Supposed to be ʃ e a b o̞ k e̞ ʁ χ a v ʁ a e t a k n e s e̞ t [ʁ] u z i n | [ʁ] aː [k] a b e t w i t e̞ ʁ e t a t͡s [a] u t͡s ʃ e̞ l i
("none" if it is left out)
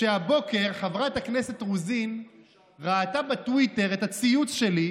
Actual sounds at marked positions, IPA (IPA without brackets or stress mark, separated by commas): ʁ, ʁ, t, i